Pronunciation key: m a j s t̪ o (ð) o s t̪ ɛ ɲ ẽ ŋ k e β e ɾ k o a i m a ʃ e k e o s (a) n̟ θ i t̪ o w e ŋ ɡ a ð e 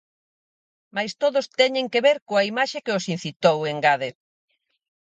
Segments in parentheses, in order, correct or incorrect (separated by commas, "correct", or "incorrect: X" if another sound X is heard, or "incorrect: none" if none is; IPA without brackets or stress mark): correct, incorrect: i